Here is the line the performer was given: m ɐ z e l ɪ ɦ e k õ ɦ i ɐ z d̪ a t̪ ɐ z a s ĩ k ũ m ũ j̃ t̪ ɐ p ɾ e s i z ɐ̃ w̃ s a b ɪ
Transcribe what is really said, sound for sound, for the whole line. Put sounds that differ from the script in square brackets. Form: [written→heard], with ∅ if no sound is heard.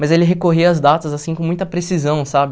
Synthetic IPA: m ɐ z e l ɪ ɦ e k [õ→o] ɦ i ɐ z d̪ a t̪ ɐ z a s ĩ k [ũ→õ] m ũ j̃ t̪ ɐ p ɾ e s i z ɐ̃ w̃ s a b ɪ